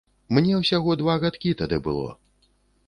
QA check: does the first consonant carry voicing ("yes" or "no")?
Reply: yes